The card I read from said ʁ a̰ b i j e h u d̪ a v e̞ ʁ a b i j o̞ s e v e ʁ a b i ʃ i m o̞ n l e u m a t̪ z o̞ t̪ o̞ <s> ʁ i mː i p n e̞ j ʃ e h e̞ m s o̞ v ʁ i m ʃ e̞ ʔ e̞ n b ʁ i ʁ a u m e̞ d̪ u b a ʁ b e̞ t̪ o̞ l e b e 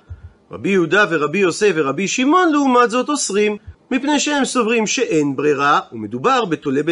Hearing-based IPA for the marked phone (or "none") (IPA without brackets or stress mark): s